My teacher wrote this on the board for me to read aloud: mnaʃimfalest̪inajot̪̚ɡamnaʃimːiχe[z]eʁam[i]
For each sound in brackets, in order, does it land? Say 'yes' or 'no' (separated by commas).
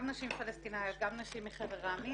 no, yes